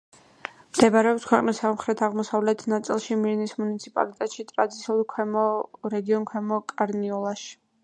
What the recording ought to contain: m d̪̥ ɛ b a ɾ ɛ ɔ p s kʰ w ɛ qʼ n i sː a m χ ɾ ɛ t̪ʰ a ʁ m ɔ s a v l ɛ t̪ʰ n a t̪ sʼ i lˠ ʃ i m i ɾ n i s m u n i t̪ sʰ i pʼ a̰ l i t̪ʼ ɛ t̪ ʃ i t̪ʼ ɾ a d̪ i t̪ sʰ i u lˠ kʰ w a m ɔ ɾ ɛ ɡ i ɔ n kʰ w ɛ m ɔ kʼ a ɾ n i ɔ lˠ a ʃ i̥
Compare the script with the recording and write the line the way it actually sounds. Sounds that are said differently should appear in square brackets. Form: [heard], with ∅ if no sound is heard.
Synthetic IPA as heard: m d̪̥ ɛ b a ɾ ɛ ɔ p s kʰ w ɛ qʼ n i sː a m χ ɾ ɛ t̪ʰ a ʁ m ɔ s a v l ɛ t̪ʰ n a t̪ sʼ i lˠ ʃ i m i ɾ n i s m u n i t̪ sʰ i pʼ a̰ l i t̪ʼ ɛ t̪ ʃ i t̪ʼ ɾ a d̪ i t̪ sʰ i u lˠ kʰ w [ɛ] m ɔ ɾ ɛ ɡ i ɔ n kʰ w ɛ m ɔ kʼ a ɾ n i ɔ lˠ a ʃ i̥